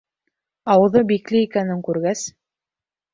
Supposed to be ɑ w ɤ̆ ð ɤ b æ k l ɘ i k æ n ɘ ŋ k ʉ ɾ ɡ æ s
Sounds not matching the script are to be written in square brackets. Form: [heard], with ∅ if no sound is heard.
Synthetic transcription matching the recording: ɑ w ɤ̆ ð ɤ b [i] k l ɘ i k æ n ɘ ŋ k ʉ ɾ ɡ æ s